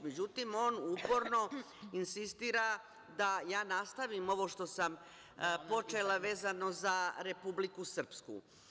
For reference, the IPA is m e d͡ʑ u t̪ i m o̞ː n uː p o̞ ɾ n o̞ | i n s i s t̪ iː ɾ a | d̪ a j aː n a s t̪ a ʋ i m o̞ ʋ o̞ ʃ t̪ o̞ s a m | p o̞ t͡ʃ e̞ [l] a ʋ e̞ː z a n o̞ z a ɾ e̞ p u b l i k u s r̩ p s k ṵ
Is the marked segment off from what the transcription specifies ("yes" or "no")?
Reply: no